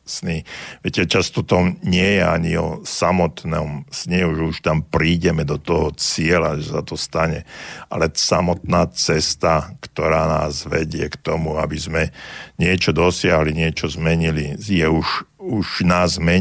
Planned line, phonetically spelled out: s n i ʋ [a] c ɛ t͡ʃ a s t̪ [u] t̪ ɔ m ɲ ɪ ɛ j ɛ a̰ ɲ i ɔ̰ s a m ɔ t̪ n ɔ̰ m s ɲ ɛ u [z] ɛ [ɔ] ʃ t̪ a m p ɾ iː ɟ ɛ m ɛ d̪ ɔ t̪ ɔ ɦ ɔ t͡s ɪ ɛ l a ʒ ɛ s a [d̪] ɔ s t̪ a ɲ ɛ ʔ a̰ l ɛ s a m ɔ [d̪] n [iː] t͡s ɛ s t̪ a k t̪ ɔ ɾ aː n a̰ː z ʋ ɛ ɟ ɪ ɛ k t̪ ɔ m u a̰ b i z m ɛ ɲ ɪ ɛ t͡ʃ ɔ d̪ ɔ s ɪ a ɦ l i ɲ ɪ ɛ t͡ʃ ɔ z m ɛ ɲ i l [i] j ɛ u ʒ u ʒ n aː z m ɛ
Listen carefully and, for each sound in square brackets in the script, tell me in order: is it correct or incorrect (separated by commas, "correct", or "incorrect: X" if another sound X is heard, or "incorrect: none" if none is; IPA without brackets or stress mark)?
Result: incorrect: ɛ, incorrect: ɔ, incorrect: ʒ, incorrect: u, incorrect: t̪, incorrect: t̪, incorrect: aː, correct